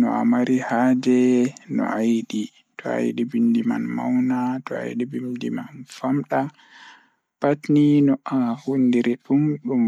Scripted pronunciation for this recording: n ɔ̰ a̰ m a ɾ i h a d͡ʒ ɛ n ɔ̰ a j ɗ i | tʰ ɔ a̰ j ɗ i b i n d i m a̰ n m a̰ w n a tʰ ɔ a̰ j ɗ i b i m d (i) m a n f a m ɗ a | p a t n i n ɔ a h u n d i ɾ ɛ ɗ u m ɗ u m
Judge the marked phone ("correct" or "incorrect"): correct